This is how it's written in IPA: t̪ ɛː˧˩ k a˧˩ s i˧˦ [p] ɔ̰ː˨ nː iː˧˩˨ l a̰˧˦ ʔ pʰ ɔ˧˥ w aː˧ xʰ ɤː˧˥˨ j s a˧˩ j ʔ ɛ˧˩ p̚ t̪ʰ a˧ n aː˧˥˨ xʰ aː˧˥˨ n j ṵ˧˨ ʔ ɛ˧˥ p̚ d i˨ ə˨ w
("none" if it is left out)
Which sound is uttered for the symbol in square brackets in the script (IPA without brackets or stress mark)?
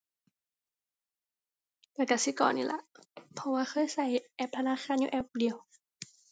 k